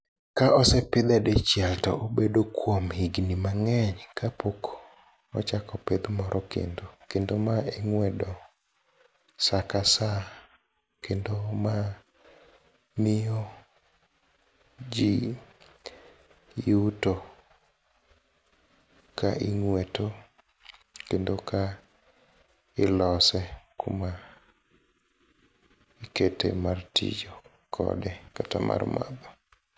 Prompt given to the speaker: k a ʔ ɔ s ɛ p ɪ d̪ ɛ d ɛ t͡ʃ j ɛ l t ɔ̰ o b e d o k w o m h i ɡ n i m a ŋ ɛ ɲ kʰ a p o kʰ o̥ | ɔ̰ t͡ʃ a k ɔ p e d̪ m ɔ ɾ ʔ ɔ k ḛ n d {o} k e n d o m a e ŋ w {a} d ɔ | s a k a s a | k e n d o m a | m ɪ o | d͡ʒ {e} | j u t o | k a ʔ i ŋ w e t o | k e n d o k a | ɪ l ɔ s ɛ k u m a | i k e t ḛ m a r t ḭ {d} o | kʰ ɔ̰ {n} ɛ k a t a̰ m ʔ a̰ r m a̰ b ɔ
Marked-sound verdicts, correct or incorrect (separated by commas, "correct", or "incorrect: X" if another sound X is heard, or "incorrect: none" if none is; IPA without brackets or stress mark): correct, incorrect: ɛ, incorrect: i, incorrect: d͡ʒ, incorrect: d